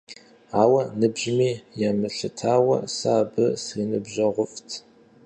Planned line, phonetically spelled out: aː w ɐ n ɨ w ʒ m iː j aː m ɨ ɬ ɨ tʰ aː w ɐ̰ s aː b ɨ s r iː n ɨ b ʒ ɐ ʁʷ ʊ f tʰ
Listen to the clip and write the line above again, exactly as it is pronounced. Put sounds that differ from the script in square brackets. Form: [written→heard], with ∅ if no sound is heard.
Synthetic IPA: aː w ɐ n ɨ [w→b] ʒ m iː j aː m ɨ ɬ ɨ tʰ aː w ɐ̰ s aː b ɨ s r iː n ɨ b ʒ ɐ ʁʷ ʊ f tʰ